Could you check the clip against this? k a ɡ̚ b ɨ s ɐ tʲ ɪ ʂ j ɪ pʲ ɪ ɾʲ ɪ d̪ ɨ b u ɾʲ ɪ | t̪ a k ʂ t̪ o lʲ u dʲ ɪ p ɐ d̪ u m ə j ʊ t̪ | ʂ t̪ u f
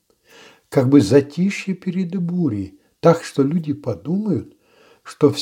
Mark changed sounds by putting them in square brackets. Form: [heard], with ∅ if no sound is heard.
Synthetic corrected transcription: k a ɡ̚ b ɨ [z] ɐ tʲ [i] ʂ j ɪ pʲ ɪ ɾʲ ɪ d̪ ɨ b u ɾʲ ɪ | t̪ a k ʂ t̪ o lʲ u dʲ ɪ p ɐ d̪ u m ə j ʊ t̪ | ʂ t̪ [o] f